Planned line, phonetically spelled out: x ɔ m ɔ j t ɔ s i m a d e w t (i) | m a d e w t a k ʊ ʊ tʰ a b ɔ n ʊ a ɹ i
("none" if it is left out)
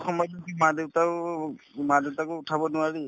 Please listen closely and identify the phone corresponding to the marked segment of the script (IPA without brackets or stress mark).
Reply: a